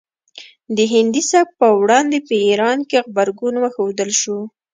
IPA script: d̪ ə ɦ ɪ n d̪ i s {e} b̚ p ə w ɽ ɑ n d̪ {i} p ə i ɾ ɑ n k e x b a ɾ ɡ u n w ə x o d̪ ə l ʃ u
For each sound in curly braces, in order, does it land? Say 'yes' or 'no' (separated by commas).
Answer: no, no